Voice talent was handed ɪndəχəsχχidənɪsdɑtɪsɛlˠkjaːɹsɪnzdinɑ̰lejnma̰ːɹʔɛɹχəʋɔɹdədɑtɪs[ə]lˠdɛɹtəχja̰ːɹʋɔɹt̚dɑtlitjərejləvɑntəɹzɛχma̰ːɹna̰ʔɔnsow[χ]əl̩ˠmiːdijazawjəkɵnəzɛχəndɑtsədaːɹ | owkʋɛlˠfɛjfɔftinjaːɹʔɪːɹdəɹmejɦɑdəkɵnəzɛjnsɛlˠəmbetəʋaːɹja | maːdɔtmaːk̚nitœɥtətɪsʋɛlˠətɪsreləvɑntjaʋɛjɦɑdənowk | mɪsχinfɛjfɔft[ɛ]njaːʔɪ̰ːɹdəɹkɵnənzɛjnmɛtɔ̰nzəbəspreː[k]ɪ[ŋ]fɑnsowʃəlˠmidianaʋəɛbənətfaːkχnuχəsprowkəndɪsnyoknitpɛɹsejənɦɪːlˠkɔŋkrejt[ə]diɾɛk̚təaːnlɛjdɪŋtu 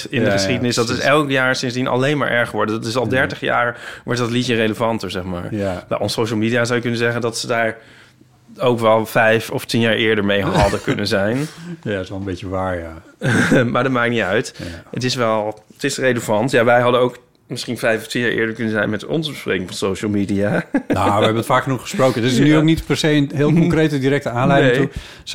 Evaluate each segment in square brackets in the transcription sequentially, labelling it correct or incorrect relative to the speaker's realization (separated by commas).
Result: incorrect, incorrect, incorrect, correct, correct, correct